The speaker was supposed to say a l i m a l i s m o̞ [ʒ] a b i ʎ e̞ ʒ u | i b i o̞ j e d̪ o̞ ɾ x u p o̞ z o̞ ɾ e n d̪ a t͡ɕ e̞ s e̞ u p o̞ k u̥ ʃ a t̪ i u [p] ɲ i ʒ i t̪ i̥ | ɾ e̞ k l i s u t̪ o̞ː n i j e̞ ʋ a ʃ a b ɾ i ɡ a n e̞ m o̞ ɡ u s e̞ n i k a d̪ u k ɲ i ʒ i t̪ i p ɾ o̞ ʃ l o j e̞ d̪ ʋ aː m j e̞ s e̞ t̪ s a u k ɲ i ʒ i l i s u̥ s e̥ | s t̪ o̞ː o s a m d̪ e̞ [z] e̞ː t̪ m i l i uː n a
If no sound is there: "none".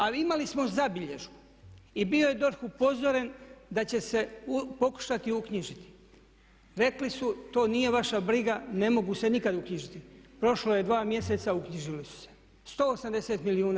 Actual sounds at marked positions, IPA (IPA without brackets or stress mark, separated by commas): z, k, s